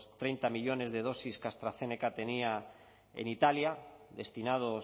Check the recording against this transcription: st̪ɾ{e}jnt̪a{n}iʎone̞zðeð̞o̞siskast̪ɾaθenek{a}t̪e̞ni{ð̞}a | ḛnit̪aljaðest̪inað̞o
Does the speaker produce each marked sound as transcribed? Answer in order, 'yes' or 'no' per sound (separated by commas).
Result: yes, no, yes, no